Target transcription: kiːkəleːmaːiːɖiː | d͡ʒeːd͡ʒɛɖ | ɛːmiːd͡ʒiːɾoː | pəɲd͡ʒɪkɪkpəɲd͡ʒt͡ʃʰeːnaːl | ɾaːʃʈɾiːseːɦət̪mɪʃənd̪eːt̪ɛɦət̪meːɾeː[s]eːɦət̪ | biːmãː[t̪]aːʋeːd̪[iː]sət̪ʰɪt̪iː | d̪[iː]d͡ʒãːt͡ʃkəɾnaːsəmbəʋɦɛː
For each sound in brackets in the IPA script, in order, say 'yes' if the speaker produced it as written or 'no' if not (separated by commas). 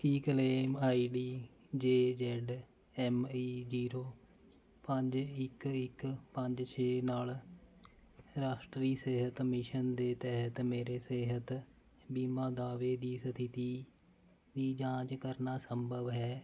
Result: yes, no, yes, yes